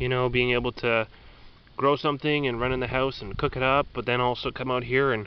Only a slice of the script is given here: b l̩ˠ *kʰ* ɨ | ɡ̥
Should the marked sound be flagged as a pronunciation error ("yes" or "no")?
yes